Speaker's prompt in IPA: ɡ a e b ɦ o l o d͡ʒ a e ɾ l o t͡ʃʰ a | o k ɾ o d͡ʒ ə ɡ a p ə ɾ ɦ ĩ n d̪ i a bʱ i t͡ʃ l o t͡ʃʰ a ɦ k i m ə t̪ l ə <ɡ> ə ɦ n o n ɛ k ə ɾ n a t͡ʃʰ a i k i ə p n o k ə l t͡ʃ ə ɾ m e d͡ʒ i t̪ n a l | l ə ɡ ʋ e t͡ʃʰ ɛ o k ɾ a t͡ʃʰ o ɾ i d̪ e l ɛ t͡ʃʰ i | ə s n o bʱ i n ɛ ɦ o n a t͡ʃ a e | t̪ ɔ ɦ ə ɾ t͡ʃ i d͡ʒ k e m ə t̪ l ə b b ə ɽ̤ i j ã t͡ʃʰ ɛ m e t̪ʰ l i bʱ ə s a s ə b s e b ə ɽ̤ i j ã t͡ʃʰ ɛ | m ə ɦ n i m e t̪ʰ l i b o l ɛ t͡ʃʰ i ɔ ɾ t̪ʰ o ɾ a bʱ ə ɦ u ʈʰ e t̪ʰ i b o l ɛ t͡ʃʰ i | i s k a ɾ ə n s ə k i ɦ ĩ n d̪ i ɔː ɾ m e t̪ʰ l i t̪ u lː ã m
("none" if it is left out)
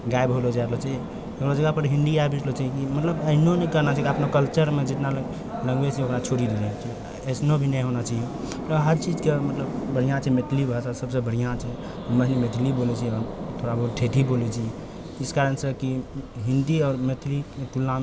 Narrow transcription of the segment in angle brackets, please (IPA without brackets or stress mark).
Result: b